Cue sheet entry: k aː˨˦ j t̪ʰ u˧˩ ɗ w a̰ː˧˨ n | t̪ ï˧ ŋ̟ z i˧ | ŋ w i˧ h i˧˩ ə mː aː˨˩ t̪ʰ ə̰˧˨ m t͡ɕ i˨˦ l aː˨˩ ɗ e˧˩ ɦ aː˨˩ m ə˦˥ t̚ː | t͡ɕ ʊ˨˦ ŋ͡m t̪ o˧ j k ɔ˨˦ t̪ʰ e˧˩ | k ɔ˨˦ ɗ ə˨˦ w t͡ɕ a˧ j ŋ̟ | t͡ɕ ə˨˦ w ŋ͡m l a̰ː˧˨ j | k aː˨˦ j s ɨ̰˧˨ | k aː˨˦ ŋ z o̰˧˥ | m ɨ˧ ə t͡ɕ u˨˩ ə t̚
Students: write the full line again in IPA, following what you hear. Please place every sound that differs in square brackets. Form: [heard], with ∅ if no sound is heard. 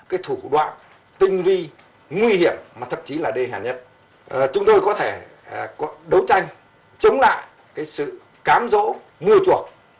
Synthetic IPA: k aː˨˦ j t̪ʰ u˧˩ ɗ w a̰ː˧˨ n | t̪ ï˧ ŋ̟ [v] i˧ | ŋ w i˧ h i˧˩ ə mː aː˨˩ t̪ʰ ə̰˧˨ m t͡ɕ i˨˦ l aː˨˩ ɗ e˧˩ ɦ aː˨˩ [ɲ] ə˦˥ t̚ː | t͡ɕ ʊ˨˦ ŋ͡m t̪ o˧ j k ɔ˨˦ t̪ʰ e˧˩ | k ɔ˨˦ ɗ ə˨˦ w t͡ɕ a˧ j ŋ̟ | t͡ɕ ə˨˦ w ŋ͡m l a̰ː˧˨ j | k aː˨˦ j s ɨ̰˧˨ | k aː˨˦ [m] z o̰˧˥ | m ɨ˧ ə t͡ɕ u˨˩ ə [k̚]

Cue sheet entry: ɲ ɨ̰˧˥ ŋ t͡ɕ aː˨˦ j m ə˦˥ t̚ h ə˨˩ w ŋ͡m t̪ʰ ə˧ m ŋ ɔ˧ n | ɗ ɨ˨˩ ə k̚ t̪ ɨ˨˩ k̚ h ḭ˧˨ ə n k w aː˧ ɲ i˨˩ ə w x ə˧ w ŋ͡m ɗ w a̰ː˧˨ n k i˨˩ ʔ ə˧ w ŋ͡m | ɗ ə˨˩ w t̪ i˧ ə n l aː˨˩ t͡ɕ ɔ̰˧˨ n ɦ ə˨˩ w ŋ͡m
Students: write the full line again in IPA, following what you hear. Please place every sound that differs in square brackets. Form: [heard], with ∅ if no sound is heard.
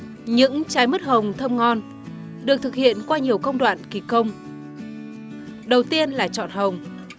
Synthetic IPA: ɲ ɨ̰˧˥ ŋ t͡ɕ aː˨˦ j m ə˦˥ t̚ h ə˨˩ w ŋ͡m t̪ʰ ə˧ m ŋ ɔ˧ n | ɗ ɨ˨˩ ə k̚ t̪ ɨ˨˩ k̚ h ḭ˧˨ ə n k w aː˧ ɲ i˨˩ ə w [k] ə˧ w ŋ͡m ɗ w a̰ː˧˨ n k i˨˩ [k] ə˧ w ŋ͡m | ɗ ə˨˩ w t̪ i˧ ə n l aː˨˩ t͡ɕ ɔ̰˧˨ n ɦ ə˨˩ w ŋ͡m

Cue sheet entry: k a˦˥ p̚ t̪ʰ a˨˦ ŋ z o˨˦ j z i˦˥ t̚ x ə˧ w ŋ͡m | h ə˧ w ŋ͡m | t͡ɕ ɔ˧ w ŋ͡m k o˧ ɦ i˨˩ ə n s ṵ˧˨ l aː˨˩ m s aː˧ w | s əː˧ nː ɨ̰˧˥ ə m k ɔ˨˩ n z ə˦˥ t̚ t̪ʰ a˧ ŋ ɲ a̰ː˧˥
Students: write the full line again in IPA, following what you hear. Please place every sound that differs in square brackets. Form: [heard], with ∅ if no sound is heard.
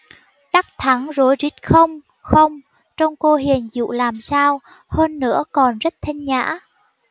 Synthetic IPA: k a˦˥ [k̚] t̪ʰ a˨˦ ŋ z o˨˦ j z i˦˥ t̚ x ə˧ w ŋ͡m | [x] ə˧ w ŋ͡m | t͡ɕ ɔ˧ w ŋ͡m k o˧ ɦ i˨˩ ə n [z] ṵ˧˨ l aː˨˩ m s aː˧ w | [h] əː˧ nː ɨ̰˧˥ ə [∅] k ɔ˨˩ n z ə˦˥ t̚ t̪ʰ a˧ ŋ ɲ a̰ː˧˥

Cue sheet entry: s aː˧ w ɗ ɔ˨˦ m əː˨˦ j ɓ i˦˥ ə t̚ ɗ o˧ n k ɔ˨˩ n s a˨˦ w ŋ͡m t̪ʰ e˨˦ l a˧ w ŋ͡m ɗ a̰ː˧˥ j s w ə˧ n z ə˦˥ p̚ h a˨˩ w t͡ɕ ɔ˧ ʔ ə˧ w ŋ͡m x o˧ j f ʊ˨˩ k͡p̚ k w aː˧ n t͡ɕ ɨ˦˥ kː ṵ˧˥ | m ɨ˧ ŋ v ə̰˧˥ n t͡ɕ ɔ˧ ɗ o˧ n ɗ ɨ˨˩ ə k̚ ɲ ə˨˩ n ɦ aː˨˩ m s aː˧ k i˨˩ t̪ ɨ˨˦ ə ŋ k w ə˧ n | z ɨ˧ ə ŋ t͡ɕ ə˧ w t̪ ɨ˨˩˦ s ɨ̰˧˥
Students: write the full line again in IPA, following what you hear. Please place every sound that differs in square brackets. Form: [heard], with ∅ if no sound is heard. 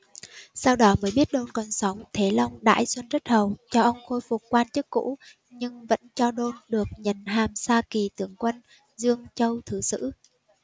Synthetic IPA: s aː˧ w ɗ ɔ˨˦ m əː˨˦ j ɓ i˦˥ ə t̚ ɗ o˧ n k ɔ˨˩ n s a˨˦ w ŋ͡m t̪ʰ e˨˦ l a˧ w ŋ͡m ɗ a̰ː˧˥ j s w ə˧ n z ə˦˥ [t̚] h [ə˨˩] w t͡ɕ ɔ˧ ʔ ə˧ w ŋ͡m x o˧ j f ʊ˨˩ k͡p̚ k w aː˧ n t͡ɕ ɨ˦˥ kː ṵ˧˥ | [ɲ] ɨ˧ ŋ v ə̰˧˥ n t͡ɕ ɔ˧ ɗ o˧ n ɗ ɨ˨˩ ə k̚ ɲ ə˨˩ n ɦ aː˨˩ m s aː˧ k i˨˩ t̪ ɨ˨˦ ə ŋ k w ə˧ n | z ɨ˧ ə ŋ t͡ɕ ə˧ w [t̪ʰ] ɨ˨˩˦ s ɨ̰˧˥

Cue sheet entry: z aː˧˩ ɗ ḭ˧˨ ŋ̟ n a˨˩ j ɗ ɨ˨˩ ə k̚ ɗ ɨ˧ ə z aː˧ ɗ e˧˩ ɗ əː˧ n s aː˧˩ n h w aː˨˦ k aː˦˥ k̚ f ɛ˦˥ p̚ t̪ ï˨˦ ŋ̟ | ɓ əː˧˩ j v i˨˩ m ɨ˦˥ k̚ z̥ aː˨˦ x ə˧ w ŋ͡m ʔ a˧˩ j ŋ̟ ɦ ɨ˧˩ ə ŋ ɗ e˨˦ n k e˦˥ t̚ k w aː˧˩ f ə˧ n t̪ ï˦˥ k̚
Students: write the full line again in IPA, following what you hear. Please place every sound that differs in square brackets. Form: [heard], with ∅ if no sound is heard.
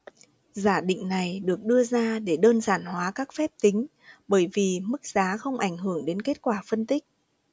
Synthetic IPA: z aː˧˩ ɗ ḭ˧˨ ŋ̟ n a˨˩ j ɗ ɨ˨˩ ə k̚ ɗ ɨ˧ ə z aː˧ ɗ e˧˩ ɗ əː˧ n [z] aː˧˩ n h w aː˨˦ k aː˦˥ k̚ f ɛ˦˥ p̚ t̪ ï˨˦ ŋ̟ | ɓ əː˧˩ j v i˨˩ m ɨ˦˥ k̚ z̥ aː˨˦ x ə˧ w ŋ͡m ʔ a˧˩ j ŋ̟ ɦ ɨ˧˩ ə ŋ ɗ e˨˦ n k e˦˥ t̚ k w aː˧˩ f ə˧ n t̪ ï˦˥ k̚

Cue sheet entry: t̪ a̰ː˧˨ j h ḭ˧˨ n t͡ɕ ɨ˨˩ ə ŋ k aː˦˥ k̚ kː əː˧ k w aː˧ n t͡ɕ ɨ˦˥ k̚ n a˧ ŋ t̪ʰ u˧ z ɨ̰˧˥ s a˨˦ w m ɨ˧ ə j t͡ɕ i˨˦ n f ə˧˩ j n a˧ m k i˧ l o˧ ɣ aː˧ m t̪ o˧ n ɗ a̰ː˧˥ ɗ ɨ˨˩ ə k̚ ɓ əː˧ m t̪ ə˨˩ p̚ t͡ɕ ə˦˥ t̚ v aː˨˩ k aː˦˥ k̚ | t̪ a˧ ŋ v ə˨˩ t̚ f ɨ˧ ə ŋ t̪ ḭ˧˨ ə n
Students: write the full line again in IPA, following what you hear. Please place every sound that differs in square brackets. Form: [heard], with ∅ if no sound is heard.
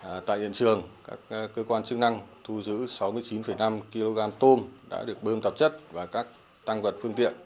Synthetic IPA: t̪ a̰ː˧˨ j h ḭ˧˨ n t͡ɕ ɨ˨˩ ə ŋ k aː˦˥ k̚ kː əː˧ k w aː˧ n t͡ɕ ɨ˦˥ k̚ n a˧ ŋ t̪ʰ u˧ z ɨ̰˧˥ s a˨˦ w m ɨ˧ ə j t͡ɕ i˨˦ n f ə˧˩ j n a˧ m k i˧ l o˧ ɣ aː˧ m t̪ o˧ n ɗ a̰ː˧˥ ɗ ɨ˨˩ ə k̚ ɓ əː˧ m t̪ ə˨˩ p̚ t͡ɕ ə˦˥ t̚ v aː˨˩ k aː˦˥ k̚ | t̪ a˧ ŋ v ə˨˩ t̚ f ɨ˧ ə ŋ t̪ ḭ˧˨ ə n

